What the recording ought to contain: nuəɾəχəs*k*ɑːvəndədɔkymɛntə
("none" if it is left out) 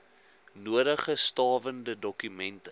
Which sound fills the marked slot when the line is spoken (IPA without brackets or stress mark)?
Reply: t